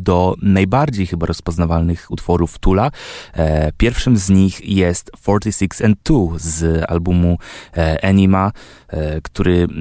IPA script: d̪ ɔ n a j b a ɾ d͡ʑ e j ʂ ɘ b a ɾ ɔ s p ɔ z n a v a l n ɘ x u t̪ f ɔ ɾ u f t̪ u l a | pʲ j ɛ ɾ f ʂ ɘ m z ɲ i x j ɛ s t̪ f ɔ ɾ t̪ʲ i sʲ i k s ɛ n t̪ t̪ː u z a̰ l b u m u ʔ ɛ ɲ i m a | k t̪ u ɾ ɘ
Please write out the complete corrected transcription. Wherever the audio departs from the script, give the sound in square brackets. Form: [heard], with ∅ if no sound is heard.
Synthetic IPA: d̪ ɔ n a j b a ɾ d͡ʑ e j [x] ɘ b a ɾ ɔ s p ɔ z n a v a l n ɘ x u t̪ f ɔ ɾ u f t̪ u l a | pʲ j ɛ ɾ f ʂ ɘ m z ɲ i x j ɛ s t̪ f ɔ ɾ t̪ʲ i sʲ i k s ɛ n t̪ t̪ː u z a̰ l b u m u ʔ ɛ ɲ i m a | k t̪ u ɾ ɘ